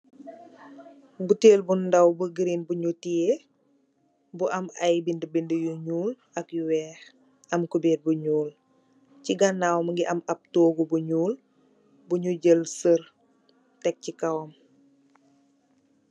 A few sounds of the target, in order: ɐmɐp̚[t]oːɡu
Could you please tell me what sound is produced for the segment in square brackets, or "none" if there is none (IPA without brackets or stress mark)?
t